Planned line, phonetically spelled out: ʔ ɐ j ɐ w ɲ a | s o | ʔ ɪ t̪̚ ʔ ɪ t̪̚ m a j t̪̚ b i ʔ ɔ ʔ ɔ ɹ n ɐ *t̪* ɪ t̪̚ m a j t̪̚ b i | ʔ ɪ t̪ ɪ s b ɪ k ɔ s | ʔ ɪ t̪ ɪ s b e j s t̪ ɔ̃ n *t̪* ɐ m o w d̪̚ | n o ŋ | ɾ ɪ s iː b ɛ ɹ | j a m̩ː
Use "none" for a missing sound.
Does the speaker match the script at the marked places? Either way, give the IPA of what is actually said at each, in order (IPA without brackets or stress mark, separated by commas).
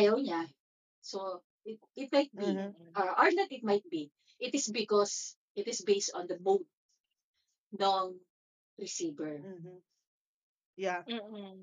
t̪, d̪